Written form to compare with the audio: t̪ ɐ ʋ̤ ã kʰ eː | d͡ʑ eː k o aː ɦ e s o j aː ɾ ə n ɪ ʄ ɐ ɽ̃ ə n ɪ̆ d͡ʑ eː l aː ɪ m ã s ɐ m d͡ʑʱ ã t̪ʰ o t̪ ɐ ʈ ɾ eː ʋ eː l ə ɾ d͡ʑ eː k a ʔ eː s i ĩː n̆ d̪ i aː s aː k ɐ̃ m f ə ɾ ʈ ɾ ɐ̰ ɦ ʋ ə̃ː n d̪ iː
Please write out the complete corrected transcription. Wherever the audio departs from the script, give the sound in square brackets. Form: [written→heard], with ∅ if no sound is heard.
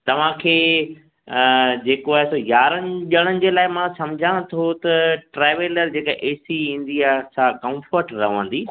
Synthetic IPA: t̪ ɐ ʋ̤ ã kʰ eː | d͡ʑ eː k o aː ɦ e s o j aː ɾ ə n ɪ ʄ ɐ ɽ̃ ə n ɪ̆ d͡ʑ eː l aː ɪ m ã s ɐ m d͡ʑʱ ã t̪ʰ o t̪ ɐ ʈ ɾ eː ʋ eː l ə ɾ d͡ʑ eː k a ʔ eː s i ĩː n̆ d̪ i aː s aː k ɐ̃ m f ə ɾ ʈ ɾ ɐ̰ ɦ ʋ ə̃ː n d̪ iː